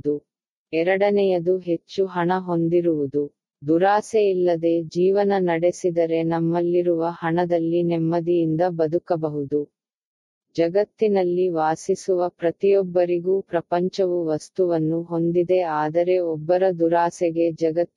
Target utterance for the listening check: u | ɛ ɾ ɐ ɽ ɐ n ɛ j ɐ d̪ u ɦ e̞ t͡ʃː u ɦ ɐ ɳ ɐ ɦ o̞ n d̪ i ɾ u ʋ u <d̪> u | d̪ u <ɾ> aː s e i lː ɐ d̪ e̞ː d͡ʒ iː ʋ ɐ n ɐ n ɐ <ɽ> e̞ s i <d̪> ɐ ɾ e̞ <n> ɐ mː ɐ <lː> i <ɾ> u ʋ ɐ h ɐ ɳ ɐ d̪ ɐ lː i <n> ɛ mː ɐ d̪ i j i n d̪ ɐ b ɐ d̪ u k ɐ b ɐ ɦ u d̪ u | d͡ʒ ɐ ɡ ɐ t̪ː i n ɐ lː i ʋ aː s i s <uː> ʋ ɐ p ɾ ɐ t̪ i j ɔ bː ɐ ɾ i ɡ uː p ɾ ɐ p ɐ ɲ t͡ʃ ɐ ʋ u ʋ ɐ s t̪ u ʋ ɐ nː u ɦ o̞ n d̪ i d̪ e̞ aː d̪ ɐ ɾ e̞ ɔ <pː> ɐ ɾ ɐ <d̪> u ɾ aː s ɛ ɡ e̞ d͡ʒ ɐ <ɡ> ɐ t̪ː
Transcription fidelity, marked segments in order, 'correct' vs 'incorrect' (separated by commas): correct, correct, correct, correct, correct, correct, correct, correct, incorrect, incorrect, correct, correct